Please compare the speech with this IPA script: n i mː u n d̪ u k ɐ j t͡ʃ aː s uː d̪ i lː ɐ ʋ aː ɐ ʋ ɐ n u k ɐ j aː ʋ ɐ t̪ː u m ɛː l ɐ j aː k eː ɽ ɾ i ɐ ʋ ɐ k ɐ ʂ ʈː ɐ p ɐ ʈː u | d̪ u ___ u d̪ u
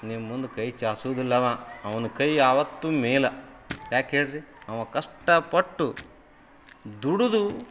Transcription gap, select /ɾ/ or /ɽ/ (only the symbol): ɽ